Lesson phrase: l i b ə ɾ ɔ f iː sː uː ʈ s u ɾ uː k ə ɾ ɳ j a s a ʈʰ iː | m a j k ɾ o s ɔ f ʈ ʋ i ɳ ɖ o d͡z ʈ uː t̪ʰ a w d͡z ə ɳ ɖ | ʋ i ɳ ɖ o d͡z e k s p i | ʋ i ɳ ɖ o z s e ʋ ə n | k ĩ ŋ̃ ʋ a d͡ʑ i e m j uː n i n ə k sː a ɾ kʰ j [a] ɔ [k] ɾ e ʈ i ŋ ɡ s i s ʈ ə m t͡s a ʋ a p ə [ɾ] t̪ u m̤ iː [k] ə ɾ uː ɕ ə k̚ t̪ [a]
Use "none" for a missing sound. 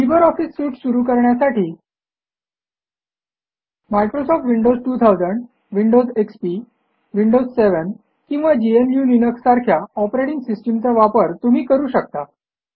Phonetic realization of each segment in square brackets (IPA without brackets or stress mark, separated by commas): a, p, ɾ, k, a